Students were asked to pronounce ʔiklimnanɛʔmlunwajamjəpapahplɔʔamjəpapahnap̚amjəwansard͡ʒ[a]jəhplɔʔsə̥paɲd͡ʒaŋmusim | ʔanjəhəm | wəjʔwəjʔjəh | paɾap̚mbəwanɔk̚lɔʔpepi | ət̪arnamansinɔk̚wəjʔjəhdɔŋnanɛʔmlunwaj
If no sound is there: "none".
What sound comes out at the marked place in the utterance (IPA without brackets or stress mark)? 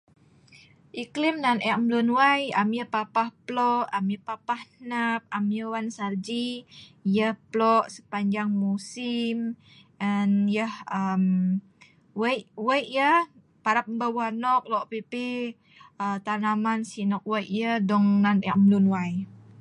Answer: i